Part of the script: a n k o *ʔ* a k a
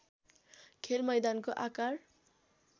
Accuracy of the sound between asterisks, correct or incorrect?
correct